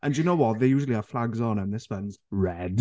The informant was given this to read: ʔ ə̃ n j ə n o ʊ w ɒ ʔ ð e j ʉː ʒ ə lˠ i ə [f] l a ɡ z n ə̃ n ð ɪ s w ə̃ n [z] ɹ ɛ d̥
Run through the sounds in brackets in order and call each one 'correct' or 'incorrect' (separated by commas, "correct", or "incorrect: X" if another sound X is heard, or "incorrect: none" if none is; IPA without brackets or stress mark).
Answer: correct, correct